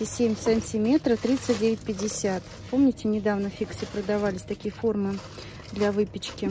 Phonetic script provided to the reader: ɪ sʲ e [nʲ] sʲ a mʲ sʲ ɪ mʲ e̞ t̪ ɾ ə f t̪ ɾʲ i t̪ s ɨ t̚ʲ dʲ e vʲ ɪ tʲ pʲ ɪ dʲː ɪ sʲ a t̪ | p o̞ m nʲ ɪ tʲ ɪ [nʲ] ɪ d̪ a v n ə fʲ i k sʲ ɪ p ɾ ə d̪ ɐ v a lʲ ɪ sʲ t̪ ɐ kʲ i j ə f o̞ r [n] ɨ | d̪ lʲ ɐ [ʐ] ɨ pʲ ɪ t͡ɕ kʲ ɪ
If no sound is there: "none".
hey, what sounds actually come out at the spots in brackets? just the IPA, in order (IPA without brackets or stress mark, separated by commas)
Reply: mʲ, nʲ, m, v